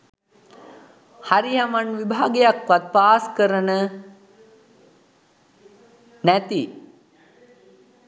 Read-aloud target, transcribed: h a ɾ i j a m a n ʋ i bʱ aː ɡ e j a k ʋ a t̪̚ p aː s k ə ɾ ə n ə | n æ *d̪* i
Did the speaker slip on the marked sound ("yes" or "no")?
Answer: yes